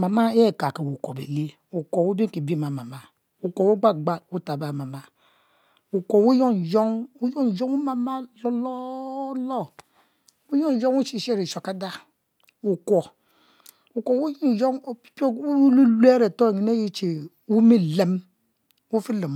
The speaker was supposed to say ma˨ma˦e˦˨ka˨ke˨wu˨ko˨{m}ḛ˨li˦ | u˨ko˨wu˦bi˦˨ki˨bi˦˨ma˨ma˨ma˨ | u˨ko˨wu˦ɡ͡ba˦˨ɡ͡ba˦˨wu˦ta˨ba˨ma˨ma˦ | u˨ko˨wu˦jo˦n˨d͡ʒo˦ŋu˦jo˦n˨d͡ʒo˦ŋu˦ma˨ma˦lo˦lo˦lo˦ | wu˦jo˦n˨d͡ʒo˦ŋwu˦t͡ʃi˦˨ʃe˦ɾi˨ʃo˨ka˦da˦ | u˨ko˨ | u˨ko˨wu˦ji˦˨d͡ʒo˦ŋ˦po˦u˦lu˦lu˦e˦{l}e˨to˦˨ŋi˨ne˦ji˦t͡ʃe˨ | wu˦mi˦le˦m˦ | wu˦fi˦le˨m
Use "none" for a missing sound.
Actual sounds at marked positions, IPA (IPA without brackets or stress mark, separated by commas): b, ɾ